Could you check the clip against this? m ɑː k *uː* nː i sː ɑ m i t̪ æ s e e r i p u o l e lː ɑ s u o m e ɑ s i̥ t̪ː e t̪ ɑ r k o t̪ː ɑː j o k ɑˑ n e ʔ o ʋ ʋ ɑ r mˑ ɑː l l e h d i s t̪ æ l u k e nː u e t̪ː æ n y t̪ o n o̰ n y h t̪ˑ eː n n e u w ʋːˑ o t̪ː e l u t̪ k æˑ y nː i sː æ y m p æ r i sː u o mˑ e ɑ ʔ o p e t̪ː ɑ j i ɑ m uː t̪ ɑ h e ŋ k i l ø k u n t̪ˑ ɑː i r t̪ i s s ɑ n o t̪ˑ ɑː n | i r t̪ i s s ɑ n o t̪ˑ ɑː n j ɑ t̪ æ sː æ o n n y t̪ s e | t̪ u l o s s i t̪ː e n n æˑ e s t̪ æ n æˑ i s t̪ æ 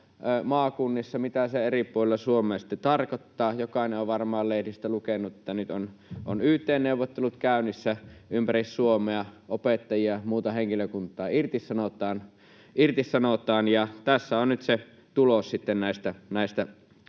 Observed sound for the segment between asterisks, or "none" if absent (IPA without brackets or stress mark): u